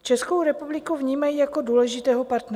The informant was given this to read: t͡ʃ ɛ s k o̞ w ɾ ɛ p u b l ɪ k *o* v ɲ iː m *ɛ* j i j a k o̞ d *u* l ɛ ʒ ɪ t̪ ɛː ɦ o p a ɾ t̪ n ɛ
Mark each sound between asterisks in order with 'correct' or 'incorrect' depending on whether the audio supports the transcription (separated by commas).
incorrect, incorrect, incorrect